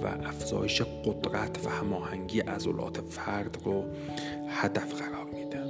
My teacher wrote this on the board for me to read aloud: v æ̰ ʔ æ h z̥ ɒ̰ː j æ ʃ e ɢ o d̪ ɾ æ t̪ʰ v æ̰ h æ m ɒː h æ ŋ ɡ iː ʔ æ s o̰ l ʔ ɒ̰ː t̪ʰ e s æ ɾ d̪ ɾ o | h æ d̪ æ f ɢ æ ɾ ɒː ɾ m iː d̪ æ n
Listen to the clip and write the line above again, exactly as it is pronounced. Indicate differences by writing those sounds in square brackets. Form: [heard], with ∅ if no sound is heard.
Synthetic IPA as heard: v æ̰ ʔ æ [f] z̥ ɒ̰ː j [e] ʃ e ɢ o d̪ ɾ æ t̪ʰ v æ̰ h æ m ɒː h æ ŋ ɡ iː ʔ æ [z] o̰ l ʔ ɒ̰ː t̪ʰ e [f] æ ɾ d̪ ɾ o | h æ d̪ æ f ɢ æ ɾ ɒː ɾ m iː d̪ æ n